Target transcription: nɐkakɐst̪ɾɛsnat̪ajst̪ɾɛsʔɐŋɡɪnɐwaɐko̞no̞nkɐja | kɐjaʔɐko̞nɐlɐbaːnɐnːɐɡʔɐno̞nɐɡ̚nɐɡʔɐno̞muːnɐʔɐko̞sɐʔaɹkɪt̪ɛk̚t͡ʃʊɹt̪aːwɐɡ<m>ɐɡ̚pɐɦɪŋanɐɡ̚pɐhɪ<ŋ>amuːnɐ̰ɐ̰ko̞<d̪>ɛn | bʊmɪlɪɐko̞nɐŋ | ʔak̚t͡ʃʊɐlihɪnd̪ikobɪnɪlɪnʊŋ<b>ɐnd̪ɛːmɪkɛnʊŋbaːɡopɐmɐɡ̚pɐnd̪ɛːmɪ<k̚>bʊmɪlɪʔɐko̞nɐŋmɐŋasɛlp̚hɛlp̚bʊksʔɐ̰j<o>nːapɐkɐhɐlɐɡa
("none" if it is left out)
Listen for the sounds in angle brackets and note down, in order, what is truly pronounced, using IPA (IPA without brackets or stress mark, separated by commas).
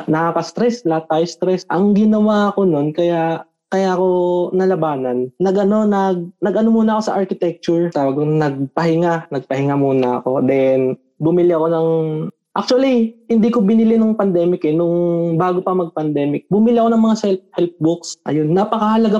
n, ŋ, d̪, p, k̚, o